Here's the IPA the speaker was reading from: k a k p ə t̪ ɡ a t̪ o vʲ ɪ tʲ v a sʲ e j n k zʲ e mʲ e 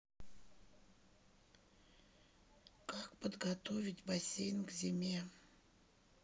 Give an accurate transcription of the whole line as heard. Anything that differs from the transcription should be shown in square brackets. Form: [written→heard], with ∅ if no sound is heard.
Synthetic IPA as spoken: k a k p ə [t̪→d̪] ɡ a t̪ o vʲ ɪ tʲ [v→b] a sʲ e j n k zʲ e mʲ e